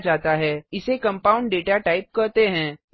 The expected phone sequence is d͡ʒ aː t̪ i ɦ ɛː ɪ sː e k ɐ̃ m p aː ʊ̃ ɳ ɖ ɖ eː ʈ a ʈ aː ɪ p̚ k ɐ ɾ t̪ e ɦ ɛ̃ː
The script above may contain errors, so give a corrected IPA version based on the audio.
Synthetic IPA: d͡ʒ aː t̪ a ɦ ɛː ɪ s e k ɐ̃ m p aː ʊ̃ ɳ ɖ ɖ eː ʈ a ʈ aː ɪ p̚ k ɐ ɾ t̪ e ɦ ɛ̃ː